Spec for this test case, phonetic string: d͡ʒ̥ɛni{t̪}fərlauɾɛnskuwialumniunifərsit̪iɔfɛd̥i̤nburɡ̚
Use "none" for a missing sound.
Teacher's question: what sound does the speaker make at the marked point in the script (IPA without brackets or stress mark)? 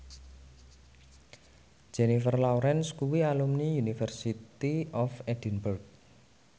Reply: none